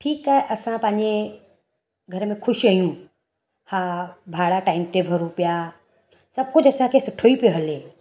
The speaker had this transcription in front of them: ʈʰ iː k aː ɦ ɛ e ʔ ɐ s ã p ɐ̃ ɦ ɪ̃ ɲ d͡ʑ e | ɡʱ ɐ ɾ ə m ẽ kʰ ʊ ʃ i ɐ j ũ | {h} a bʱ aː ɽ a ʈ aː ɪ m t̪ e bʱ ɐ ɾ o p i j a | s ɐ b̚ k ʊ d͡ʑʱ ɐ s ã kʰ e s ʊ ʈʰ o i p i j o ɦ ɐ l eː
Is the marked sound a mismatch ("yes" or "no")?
no